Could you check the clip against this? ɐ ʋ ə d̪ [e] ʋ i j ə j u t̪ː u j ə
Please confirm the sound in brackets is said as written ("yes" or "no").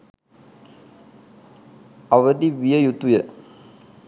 no